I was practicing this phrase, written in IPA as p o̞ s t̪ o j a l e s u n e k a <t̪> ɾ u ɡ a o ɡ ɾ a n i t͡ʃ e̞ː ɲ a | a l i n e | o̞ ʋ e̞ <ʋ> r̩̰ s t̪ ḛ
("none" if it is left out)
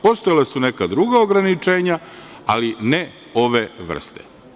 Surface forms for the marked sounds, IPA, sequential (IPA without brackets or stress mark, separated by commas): d̪, ʋ